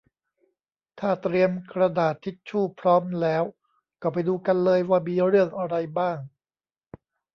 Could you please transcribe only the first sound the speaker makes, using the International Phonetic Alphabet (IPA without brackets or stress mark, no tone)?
t̪ʰ